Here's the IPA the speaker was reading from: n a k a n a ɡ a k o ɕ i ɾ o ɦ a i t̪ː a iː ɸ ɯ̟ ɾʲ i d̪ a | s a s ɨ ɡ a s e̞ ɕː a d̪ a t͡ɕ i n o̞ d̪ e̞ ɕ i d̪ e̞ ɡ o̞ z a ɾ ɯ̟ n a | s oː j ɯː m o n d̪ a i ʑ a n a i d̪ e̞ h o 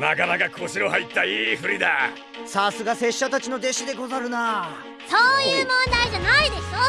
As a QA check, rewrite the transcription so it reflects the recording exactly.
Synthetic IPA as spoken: n a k a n a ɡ a k o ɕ i ɾ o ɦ a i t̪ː a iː ɸ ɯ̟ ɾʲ i d̪ a | s a s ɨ ɡ a s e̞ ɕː a t̪ a t͡ɕ i n o̞ d̪ e̞ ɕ i d̪ e̞ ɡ o̞ z a ɾ ɯ̟ n a | s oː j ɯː m õ n d̪ a i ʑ a n a i d̪ e̞ ɕ o